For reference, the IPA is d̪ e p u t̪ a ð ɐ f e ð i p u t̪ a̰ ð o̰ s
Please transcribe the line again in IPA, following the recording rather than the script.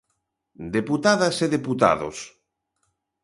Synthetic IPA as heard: d̪ e p u t̪ a ð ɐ s e ð e p u t̪ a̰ ð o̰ s